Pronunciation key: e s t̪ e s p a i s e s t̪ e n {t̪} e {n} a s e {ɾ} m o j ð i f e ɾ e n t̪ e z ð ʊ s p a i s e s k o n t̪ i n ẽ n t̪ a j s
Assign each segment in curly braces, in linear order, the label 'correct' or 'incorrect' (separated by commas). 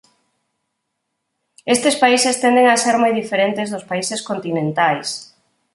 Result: incorrect, incorrect, correct